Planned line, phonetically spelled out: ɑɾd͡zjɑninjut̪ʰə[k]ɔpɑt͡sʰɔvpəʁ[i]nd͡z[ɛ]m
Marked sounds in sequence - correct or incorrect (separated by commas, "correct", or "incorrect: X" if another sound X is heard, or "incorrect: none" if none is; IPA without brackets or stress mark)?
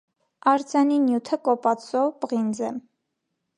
correct, correct, correct